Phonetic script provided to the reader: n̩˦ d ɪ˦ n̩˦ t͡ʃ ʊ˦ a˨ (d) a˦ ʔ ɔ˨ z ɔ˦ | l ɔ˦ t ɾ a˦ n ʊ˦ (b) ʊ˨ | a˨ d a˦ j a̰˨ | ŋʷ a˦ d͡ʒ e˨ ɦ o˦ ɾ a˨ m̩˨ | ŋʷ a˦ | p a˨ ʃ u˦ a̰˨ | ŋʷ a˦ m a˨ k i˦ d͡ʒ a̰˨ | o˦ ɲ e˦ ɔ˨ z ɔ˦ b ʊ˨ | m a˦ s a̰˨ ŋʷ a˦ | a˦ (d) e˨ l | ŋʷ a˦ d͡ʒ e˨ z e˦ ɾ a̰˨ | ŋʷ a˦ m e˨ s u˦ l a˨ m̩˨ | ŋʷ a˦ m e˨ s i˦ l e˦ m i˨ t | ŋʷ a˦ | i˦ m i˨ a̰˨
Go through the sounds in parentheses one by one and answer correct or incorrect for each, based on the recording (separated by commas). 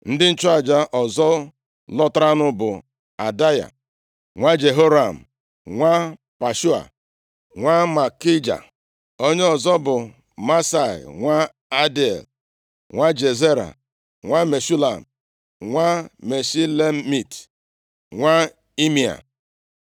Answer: incorrect, correct, correct